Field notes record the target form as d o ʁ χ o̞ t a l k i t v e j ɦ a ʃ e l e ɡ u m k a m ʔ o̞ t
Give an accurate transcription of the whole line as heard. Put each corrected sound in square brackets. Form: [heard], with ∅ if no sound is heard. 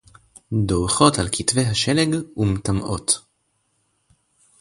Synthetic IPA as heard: d o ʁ χ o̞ t a l k i t v e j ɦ a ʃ e l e ɡ u m [t] a m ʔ o̞ t

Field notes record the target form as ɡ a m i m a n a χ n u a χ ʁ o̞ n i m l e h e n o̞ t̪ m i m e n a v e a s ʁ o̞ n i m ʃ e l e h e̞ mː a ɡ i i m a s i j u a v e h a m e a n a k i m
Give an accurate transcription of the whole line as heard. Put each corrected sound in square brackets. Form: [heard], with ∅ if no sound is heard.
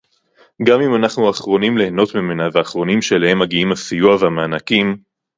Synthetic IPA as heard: ɡ a m i m a n a χ n u a χ ʁ o̞ n i m l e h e n o̞ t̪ m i m e n a v e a [χ] ʁ o̞ n i m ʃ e l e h e̞ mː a ɡ i i m a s i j u a v e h a m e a n a k i m

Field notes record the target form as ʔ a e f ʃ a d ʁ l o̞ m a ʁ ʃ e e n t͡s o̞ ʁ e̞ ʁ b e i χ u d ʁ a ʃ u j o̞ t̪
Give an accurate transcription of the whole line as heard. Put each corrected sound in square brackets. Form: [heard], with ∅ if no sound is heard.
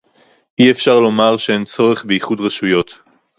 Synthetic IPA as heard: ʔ [i] e f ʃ a [∅] ʁ l o̞ m a ʁ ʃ e e n t͡s o̞ ʁ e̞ [χ] b e i χ u d ʁ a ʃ u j o̞ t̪

